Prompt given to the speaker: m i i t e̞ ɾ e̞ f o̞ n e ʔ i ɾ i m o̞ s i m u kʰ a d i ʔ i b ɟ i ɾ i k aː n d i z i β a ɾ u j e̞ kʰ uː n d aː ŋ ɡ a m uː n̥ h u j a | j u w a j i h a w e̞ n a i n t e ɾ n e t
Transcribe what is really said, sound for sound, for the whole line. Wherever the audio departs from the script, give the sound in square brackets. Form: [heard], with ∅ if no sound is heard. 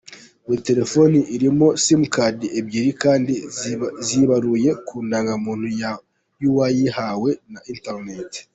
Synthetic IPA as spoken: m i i t e̞ ɾ e̞ f o̞ n [i] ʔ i ɾ i m o̞ s i m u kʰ a d i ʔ [e] b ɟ i ɾ i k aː n d i z i β a ɾ u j e̞ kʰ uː n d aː ŋ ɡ a m uː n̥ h u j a | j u w a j i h a w e̞ n a i n t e ɾ n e t